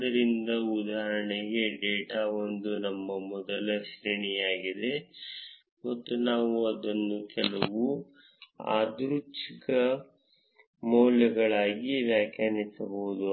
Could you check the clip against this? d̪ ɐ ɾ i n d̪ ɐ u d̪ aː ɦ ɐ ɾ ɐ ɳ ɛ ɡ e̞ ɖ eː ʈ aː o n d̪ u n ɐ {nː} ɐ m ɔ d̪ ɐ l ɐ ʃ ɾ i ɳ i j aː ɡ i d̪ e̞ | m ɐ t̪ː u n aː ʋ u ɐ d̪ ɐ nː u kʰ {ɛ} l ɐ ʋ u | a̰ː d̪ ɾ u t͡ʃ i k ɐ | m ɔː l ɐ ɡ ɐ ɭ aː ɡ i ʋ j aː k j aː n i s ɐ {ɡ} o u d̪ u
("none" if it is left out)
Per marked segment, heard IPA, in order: mː, ɛ, b

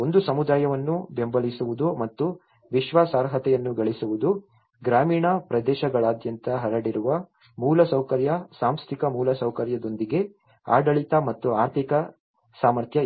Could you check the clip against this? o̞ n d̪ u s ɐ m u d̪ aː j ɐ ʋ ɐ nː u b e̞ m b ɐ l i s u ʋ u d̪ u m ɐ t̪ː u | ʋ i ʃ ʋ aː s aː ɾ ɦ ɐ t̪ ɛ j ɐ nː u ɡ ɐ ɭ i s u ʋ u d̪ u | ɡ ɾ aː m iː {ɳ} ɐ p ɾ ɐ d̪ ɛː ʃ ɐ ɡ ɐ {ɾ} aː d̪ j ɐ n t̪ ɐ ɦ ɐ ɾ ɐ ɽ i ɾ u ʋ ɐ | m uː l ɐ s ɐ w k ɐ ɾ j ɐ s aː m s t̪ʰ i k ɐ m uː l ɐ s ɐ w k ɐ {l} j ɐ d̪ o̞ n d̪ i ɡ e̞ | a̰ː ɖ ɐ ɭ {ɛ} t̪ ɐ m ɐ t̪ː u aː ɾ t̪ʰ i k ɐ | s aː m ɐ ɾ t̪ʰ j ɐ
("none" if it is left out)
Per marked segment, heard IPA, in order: ɳ, ɭ, ɾ, i

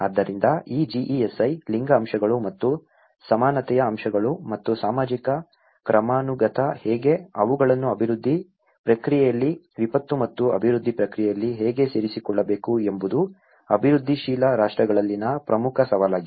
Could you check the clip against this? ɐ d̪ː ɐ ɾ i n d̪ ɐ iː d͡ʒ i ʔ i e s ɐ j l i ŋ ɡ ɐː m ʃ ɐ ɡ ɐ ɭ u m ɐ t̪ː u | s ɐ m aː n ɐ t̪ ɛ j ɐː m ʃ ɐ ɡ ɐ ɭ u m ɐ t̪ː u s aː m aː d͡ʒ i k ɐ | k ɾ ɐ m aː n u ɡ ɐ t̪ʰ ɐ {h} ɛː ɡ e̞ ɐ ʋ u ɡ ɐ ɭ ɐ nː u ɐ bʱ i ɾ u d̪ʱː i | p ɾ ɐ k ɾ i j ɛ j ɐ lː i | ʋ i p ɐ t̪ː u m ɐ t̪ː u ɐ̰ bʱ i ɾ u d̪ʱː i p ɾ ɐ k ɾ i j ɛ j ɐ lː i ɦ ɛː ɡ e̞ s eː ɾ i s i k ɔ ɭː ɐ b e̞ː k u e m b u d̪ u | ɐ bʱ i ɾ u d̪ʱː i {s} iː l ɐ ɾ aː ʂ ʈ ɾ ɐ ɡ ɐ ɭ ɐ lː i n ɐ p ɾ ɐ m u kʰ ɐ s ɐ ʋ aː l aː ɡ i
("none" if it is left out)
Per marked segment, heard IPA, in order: h, ʃ

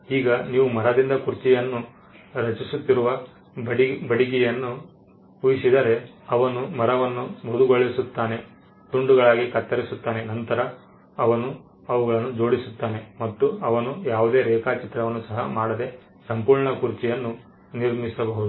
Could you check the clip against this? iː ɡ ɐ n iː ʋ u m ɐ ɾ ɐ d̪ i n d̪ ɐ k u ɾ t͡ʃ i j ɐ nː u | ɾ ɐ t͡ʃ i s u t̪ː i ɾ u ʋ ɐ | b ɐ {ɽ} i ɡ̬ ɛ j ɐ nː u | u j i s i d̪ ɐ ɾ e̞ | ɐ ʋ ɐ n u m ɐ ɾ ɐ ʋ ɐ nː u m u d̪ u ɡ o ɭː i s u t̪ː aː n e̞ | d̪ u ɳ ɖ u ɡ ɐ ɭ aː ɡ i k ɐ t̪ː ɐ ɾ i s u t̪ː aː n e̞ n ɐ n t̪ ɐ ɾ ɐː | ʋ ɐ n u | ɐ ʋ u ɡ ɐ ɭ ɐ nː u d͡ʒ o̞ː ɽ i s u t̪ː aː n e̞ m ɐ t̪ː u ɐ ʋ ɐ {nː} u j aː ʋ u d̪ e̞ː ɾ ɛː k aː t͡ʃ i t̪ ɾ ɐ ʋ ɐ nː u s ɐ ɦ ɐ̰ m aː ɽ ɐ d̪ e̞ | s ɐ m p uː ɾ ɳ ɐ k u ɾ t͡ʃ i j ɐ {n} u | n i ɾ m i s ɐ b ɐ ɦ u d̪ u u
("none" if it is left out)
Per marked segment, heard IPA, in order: ɽ, n, nː

